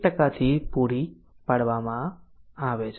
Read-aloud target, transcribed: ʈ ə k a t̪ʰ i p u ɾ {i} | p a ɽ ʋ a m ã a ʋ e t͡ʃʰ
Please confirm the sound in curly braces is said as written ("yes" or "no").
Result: yes